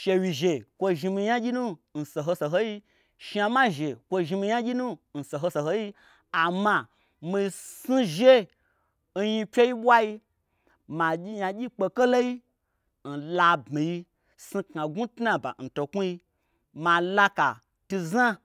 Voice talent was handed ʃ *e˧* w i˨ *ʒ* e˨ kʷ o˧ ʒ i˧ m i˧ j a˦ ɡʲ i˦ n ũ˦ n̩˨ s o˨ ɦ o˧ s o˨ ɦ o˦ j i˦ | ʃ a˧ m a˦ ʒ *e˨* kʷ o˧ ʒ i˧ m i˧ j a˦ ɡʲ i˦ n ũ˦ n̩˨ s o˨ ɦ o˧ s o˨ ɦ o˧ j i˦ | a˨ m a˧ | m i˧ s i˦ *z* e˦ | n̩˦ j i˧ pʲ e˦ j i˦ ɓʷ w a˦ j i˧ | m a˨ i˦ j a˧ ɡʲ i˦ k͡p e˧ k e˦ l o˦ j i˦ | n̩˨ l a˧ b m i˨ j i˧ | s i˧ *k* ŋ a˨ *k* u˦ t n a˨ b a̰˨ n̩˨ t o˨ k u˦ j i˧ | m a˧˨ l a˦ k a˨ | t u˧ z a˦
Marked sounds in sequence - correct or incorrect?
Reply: correct, correct, correct, incorrect, correct, incorrect

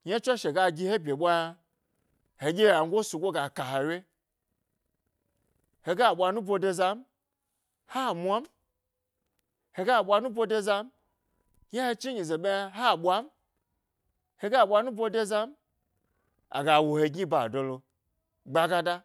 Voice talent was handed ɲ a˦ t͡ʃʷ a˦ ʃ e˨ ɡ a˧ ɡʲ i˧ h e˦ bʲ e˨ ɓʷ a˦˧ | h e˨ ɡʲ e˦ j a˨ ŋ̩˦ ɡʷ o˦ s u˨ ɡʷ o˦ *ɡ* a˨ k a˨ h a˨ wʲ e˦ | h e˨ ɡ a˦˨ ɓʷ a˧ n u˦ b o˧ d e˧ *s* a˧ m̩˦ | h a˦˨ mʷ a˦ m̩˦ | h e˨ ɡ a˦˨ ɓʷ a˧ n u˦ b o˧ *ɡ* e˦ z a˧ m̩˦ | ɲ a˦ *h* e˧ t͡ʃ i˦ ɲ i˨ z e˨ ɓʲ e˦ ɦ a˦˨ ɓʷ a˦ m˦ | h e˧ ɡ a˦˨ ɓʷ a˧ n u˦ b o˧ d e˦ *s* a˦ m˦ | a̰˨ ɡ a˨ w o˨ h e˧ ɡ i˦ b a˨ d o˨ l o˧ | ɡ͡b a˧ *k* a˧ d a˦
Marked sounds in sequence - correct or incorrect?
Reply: correct, incorrect, incorrect, correct, incorrect, incorrect

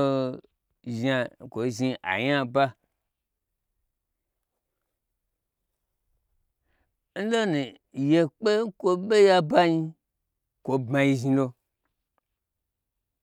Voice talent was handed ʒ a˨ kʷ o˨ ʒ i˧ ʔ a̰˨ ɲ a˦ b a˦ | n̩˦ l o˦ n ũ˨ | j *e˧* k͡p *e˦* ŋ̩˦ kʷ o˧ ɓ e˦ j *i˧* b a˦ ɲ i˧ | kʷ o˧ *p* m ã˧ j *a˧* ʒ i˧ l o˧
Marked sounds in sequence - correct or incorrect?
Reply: correct, correct, incorrect, incorrect, incorrect

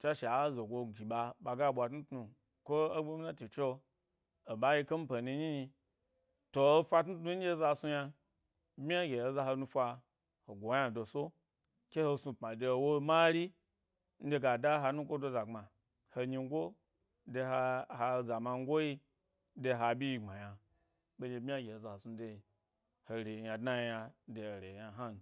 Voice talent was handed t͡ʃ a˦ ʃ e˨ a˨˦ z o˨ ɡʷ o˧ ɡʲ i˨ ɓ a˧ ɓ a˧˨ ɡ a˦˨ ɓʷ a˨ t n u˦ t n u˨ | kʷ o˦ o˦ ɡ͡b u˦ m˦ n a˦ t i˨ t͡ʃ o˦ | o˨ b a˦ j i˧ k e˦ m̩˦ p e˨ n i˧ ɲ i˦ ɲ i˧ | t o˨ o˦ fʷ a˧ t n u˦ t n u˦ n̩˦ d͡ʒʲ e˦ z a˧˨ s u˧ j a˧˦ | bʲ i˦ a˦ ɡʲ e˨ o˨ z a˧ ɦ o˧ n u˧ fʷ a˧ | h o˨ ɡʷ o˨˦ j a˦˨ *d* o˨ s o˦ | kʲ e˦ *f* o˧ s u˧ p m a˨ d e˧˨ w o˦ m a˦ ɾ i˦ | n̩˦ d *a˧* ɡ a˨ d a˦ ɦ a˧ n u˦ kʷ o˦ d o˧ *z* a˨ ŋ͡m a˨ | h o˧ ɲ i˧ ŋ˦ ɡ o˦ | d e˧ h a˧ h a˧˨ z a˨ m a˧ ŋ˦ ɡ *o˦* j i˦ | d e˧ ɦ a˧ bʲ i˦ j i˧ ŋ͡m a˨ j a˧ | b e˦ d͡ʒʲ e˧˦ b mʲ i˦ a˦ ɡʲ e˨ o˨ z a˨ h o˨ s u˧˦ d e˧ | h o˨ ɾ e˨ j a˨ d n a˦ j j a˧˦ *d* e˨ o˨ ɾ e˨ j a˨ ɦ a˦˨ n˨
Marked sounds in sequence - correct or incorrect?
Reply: correct, incorrect, incorrect, correct, correct, correct

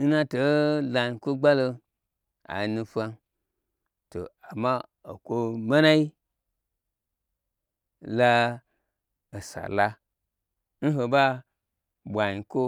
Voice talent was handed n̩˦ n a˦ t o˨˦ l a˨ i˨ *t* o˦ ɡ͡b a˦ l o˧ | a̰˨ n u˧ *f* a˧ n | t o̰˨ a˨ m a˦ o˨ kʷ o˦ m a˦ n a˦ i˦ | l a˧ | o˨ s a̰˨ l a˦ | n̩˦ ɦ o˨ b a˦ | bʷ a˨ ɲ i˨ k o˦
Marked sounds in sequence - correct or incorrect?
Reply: incorrect, correct

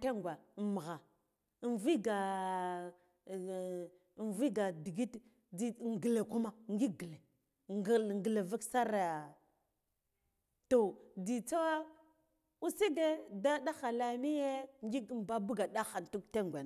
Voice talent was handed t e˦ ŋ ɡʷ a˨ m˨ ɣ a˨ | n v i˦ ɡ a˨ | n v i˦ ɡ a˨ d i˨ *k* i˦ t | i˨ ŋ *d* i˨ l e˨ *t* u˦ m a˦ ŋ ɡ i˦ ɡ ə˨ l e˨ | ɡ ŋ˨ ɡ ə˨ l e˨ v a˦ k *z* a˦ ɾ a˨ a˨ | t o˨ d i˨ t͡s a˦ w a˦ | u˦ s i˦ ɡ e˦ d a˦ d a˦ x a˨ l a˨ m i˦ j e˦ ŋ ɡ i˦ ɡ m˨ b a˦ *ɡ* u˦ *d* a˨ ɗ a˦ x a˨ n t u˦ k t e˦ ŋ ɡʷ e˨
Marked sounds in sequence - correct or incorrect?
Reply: incorrect, incorrect, incorrect, incorrect, incorrect, incorrect

